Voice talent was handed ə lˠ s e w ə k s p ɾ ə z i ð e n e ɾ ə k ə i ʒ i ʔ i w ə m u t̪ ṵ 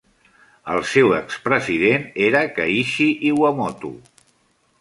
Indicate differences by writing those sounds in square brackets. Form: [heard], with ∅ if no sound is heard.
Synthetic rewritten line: ə lˠ s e w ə k s p ɾ ə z i ð e n e ɾ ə k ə i [ʃ] i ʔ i w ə m [ɔ] t̪ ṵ